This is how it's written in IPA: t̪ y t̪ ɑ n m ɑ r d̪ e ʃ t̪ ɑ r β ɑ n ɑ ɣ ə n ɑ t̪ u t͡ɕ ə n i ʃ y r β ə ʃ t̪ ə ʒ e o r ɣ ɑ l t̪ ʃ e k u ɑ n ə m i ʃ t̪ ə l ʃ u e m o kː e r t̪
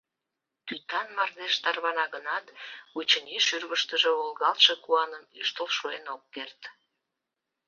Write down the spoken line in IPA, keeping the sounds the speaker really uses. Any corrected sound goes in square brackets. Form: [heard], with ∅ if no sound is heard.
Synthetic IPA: t̪ y t̪ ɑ n m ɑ r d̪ e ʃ t̪ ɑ r β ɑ n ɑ ɣ ə n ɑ t̪ u t͡ɕ ə n i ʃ y r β ə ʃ t̪ ə ʒ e o [l] ɣ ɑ l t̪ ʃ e k u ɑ n ə m [y] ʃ t̪ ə l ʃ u e [n] o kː e r t̪